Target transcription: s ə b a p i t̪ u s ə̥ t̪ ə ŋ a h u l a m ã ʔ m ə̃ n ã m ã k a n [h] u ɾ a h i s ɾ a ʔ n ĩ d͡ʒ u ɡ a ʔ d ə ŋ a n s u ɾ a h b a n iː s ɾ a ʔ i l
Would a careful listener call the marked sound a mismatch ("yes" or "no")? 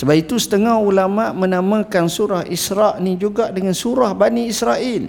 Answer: yes